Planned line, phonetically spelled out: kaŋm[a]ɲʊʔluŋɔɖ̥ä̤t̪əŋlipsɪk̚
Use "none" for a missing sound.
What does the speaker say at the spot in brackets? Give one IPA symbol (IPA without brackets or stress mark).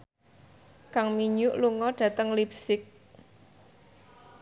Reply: i